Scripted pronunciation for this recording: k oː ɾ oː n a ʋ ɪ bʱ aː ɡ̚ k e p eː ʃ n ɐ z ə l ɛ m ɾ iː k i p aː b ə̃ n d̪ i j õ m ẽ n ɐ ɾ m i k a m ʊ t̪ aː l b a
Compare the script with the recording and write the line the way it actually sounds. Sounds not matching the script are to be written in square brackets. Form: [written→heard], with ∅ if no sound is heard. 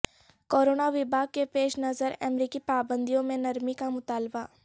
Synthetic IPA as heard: k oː ɾ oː n a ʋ ɪ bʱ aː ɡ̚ k e p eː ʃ n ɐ z ə [l→ɾ] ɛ m ɾ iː k i p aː b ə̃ n d̪ i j õ m ẽ n ɐ ɾ m i k a m ʊ t̪ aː l b a